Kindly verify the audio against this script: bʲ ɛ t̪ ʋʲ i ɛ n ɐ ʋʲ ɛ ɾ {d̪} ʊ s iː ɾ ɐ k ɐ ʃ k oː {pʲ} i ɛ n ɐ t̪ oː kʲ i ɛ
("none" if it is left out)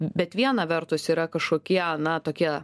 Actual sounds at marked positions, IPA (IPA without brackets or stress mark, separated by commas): t̪, kʲ